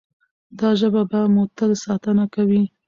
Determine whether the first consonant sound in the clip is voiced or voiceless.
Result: voiced